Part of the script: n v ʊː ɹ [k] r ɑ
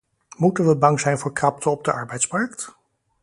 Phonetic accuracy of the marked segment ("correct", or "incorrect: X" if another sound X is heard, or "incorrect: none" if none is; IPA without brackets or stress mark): correct